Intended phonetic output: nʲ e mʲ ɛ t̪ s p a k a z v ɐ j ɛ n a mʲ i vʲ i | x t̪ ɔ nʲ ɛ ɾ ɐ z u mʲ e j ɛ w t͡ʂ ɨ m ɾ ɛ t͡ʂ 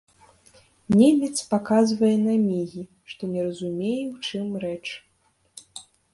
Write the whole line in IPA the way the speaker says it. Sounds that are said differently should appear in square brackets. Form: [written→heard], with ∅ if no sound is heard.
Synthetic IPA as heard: nʲ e mʲ ɛ t̪ s p a k a z v ɐ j ɛ n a mʲ i [vʲ→ɣʲ] i | [x→ʂ] t̪ ɔ nʲ ɛ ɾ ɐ z u mʲ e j ɛ w t͡ʂ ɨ m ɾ ɛ t͡ʂ

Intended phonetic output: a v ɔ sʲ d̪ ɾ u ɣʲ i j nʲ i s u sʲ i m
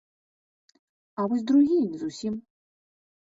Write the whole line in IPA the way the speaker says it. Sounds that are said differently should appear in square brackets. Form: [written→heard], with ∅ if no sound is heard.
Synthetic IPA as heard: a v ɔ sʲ d̪ ɾ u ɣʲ i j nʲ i [s→z] u sʲ i m

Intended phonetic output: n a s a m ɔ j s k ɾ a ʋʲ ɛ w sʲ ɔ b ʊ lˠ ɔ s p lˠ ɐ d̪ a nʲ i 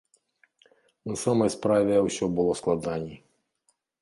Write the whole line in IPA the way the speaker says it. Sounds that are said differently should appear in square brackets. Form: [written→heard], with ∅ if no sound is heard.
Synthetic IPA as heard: n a s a m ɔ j s [k→p] ɾ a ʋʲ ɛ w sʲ ɔ b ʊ lˠ ɔ s [p→k] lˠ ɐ d̪ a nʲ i

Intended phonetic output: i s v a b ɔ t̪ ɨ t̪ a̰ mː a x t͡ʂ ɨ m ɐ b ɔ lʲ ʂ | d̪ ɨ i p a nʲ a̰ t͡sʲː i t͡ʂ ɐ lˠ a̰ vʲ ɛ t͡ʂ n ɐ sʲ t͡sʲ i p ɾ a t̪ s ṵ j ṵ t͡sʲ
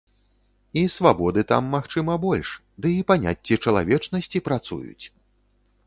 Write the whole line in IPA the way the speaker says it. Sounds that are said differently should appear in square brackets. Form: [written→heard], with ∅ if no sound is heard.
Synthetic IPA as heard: i s v a b ɔ [t̪→d̪] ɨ t̪ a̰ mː a x t͡ʂ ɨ m ɐ b ɔ lʲ ʂ | d̪ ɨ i p a nʲ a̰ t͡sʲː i t͡ʂ ɐ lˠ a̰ vʲ ɛ t͡ʂ n ɐ sʲ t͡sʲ i p ɾ a t̪ s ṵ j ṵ t͡sʲ

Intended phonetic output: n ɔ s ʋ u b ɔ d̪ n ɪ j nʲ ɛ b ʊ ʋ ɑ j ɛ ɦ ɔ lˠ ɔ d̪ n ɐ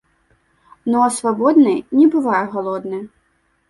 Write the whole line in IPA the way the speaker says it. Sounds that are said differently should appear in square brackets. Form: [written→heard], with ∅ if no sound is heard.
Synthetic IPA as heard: n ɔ s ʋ [u→ɔ] b ɔ d̪ n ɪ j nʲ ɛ b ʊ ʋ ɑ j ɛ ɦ ɔ lˠ ɔ d̪ n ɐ

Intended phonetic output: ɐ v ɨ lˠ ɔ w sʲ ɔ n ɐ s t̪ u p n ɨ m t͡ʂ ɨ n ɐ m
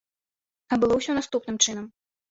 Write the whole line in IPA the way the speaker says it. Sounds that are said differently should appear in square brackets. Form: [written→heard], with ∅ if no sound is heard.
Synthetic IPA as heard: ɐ [v→b] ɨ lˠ ɔ w sʲ ɔ n [ɐ→a] s t̪ u p n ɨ m t͡ʂ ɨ n ɐ m

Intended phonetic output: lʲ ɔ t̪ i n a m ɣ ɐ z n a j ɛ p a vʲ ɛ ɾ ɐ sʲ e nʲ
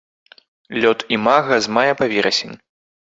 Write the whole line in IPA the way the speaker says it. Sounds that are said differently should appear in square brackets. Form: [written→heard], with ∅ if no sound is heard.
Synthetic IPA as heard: lʲ ɔ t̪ i [n→m] a [m→∅] ɣ ɐ z [n→m] a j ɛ p a vʲ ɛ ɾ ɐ sʲ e nʲ

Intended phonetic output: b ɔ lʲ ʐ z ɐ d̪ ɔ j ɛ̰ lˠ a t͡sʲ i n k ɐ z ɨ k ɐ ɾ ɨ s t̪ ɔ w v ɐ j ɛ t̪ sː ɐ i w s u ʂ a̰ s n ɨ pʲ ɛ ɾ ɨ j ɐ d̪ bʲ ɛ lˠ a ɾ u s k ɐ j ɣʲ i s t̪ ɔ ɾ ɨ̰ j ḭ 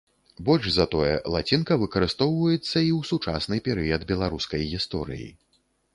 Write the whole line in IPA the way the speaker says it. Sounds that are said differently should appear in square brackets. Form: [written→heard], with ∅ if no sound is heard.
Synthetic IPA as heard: b ɔ lʲ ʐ z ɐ [d̪→t̪] ɔ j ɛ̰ lˠ a t͡sʲ i n k ɐ [z→v] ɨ k ɐ ɾ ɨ s t̪ ɔ w v ɐ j ɛ t̪ sː ɐ i w s u [ʂ→t͡ʂ] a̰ s n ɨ pʲ ɛ ɾ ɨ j ɐ d̪ bʲ ɛ lˠ a ɾ u s k ɐ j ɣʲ i s t̪ ɔ ɾ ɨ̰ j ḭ

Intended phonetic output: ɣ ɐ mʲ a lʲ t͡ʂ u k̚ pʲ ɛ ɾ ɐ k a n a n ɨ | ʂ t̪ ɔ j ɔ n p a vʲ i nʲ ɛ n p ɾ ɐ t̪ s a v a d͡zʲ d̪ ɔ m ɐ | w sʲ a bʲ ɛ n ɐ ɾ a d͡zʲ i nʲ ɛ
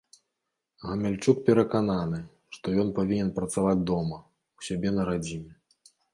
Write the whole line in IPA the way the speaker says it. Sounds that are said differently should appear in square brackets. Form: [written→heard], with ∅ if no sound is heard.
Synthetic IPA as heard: ɣ ɐ mʲ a lʲ t͡ʂ u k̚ pʲ ɛ ɾ ɐ k a n a n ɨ | ʂ t̪ ɔ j ɔ n p a vʲ i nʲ ɛ n p ɾ ɐ t̪ s a v a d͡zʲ d̪ ɔ m ɐ | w sʲ a bʲ ɛ n ɐ ɾ a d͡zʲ i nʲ ɛ

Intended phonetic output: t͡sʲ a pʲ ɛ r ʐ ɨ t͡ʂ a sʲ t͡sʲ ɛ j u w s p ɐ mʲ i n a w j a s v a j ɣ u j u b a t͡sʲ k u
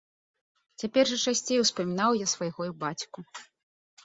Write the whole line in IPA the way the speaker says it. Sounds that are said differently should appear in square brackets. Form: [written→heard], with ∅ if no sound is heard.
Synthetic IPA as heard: t͡sʲ a pʲ ɛ r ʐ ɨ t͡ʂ a sʲ t͡sʲ [ɛ→e] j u w s p ɐ mʲ i n a w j a s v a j ɣ [u→ɔ] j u b a t͡sʲ k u

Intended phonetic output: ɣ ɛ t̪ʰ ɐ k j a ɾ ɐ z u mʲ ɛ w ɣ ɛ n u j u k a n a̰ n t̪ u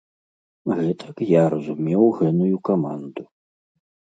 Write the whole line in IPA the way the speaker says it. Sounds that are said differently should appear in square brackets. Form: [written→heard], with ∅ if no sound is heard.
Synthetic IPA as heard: ɣ ɛ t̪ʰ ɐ k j a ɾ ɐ z u mʲ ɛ w ɣ ɛ n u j u k a [n→m] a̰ n [t̪→d̪] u

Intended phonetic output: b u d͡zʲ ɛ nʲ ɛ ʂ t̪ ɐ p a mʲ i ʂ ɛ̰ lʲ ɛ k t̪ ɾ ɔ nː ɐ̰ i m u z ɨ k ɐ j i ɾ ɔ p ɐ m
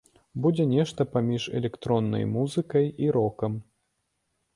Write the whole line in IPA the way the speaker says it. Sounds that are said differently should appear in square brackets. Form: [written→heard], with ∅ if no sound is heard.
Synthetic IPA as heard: b u d͡zʲ ɛ nʲ ɛ ʂ t̪ ɐ p a mʲ i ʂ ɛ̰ lʲ ɛ k t̪ ɾ ɔ nː ɐ̰ [i→j] m u z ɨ k ɐ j i ɾ ɔ [p→k] ɐ m

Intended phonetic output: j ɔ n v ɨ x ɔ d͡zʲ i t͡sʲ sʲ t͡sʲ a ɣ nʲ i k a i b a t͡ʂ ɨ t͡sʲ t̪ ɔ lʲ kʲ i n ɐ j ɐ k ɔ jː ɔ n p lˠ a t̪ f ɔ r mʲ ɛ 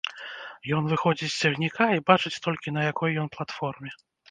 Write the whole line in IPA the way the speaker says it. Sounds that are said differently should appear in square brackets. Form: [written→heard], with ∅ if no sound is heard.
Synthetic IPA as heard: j ɔ n v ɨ x ɔ d͡zʲ i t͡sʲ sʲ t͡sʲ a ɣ nʲ i k a i b a t͡ʂ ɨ t͡sʲ t̪ ɔ lʲ kʲ i n ɐ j [ɐ→a] k ɔ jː ɔ n p lˠ a t̪ f ɔ r mʲ ɛ

